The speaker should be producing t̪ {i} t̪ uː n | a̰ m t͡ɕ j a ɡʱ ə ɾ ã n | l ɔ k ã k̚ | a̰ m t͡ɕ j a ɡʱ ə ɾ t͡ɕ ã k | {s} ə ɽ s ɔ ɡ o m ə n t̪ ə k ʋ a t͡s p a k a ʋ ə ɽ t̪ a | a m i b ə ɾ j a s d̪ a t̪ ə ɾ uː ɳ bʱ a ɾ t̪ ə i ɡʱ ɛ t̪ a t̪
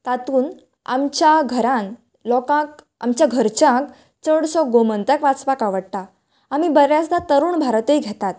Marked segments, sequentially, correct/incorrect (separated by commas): incorrect, incorrect